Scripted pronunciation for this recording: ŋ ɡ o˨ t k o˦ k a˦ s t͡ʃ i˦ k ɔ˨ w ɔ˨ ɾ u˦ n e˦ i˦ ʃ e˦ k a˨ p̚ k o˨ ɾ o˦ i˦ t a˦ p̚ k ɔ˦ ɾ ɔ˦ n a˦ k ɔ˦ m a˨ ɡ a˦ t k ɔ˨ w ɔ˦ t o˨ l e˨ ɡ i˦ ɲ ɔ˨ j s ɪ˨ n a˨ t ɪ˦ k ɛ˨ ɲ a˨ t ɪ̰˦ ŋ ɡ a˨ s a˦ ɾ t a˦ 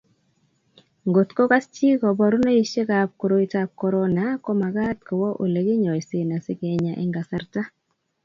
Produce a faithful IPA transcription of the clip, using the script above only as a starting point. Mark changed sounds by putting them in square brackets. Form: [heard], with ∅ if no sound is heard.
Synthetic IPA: ŋ ɡ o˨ t k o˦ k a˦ s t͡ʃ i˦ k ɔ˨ [b] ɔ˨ ɾ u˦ n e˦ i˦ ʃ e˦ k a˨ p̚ k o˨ ɾ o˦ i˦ t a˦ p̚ k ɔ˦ ɾ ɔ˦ n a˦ k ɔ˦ m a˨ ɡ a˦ t k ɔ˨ w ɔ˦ [ʔ] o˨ l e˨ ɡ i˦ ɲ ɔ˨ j s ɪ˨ n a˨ [s] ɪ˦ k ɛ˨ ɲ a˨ [ʔ] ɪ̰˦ ŋ ɡ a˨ s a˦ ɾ t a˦